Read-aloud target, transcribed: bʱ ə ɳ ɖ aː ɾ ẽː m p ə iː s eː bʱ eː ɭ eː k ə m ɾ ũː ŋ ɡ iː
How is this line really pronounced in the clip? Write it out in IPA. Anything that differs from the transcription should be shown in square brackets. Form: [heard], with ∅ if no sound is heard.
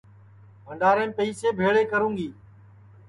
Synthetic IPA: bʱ ə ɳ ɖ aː ɾ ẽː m p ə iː s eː bʱ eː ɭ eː k ə [∅] ɾ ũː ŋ ɡ iː

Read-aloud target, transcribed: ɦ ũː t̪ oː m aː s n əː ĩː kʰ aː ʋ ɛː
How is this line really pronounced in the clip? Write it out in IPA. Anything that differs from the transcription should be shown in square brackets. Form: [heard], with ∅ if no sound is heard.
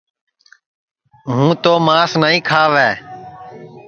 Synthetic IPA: ɦ ũː t̪ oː m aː s n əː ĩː kʰ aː ʋ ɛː

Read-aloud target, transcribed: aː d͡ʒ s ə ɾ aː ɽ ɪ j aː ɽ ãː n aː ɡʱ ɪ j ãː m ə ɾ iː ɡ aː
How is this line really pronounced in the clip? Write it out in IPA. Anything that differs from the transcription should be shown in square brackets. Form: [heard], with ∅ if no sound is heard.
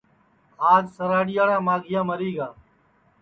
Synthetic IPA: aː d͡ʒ s ə ɾ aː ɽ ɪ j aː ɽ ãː [m] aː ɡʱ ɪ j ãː m ə ɾ iː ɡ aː

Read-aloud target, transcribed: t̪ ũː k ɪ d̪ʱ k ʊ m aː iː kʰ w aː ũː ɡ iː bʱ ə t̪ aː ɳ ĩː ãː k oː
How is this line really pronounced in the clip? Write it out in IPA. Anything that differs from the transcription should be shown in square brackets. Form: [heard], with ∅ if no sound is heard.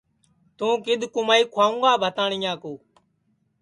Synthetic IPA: t̪ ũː k ɪ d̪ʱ k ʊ m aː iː kʰ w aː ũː ɡ [aː] bʱ ə t̪ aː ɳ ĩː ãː k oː

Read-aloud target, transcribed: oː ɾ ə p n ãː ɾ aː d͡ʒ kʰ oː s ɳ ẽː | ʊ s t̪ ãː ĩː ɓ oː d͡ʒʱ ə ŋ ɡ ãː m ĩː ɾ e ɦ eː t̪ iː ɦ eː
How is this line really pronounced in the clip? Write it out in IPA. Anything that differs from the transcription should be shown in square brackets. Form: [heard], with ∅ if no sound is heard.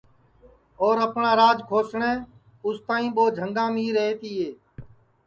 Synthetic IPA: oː ɾ ə p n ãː ɾ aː d͡ʒ kʰ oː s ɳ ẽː | ʊ s t̪ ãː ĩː ɓ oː d͡ʒʱ ə ŋ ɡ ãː m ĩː ɾ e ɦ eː t̪ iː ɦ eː

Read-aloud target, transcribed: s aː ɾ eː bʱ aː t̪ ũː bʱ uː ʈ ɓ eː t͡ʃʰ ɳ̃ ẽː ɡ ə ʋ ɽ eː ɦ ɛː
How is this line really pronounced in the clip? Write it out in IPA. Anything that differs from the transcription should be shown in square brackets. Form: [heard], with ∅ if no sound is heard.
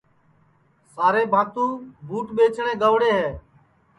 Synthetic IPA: s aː ɾ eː bʱ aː t̪ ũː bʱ uː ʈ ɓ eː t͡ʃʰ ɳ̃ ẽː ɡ ə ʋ ɽ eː ɦ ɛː

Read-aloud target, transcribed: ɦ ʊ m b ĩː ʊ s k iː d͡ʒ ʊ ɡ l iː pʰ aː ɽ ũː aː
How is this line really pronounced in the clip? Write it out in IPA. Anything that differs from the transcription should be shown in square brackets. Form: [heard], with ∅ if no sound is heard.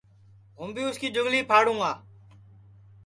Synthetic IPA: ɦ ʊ m b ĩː ʊ s k iː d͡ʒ ʊ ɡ l iː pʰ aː ɽ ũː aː

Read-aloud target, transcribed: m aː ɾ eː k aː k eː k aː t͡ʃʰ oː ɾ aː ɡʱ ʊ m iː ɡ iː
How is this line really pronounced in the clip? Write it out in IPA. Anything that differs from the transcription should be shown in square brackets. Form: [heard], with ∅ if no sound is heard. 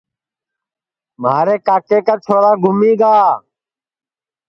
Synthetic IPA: m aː ɾ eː k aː k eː k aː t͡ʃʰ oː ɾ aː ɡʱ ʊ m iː ɡ [aː]

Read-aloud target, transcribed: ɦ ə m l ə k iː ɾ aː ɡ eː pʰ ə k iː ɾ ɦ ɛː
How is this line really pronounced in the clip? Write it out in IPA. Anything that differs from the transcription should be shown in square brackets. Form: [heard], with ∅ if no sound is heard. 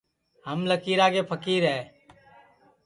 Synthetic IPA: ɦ ə m l ə k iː ɾ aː ɡ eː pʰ ə k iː ɾ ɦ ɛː

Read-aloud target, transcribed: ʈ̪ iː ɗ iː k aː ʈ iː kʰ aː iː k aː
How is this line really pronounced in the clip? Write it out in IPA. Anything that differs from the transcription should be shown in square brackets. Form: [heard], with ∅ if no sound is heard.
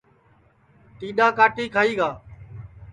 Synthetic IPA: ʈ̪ iː ɗ [aː] k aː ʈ iː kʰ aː iː [ɡ] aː

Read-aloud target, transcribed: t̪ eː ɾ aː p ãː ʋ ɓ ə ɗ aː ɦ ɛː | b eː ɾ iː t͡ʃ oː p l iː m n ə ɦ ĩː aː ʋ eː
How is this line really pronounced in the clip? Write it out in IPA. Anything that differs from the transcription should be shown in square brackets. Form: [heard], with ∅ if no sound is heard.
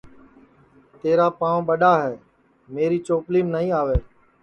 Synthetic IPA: t̪ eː ɾ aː p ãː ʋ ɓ ə ɗ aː ɦ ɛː | [m] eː ɾ iː t͡ʃ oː p l iː m n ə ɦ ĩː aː ʋ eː

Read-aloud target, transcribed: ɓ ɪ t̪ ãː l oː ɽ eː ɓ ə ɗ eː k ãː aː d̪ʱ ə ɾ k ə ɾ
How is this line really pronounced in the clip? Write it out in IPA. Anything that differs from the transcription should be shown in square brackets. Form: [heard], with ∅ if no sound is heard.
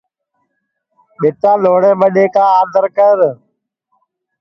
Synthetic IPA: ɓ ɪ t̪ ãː l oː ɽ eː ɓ ə ɗ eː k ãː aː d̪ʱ ə ɾ k ə ɾ

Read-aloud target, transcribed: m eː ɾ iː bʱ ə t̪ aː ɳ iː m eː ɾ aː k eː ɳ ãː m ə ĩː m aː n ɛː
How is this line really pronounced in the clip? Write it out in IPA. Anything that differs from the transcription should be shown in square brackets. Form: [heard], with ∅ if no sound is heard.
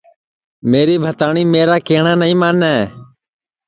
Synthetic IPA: m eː ɾ iː bʱ ə t̪ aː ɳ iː m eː ɾ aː k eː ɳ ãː [n] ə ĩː m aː n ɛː

